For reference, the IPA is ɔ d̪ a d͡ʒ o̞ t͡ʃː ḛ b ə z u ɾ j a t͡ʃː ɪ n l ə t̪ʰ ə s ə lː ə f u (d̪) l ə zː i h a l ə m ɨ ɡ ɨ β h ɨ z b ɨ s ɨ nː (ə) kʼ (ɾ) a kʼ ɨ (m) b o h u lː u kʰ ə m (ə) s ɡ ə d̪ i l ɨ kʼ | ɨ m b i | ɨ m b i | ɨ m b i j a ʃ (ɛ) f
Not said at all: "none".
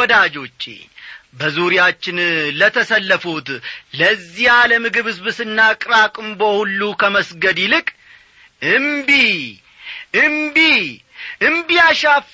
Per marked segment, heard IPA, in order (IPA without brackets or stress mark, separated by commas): t̪, a, ɾ, m, ə, a